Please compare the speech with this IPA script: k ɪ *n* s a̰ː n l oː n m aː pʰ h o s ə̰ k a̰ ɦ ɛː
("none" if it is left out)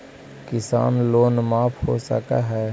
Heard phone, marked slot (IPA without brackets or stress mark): none